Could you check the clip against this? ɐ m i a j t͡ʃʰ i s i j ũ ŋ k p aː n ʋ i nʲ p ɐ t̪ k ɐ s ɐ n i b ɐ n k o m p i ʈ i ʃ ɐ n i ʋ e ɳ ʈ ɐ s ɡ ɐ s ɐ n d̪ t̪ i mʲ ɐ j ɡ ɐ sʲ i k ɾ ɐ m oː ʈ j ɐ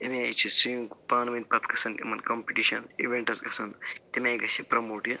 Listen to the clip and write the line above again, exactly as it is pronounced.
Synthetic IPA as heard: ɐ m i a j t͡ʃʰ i s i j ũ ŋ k p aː n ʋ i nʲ p ɐ t̪ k ɐ s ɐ n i m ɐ n k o m p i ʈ i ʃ ɐ n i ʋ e ɳ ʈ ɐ s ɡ ɐ s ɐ n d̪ t̪ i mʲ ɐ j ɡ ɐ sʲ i p ɾ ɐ m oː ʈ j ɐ